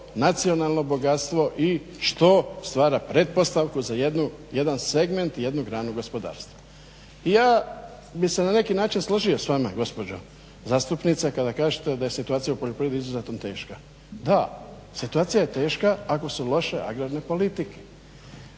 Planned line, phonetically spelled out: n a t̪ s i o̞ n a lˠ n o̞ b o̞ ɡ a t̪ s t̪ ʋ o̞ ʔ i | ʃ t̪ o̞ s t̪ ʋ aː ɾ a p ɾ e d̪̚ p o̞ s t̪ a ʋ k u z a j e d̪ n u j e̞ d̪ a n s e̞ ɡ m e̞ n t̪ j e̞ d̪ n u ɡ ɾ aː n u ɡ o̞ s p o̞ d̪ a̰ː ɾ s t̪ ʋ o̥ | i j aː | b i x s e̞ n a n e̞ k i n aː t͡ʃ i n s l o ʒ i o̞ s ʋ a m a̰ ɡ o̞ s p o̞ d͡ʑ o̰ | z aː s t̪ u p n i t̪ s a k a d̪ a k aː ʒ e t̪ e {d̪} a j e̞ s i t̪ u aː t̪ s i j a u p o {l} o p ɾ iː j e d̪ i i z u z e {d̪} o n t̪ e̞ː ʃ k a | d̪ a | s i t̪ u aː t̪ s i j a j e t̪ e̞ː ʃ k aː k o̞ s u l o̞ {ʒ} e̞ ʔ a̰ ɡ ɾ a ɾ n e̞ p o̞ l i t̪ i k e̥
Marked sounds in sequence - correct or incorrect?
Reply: correct, incorrect, incorrect, incorrect

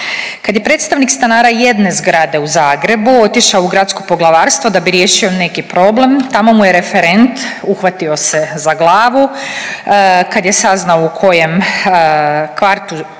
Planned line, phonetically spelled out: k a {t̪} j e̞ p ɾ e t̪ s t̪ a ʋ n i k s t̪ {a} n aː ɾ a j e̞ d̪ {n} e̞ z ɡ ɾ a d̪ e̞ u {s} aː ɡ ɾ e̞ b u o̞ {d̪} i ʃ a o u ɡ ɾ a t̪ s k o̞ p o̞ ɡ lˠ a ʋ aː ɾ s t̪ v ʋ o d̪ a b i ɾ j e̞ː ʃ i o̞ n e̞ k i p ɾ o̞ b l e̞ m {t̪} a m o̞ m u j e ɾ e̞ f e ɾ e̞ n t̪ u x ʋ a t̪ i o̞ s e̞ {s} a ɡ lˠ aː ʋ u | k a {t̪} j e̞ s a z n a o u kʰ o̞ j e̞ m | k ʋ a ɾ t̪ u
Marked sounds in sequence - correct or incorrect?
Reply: incorrect, correct, correct, incorrect, incorrect, correct, incorrect, incorrect

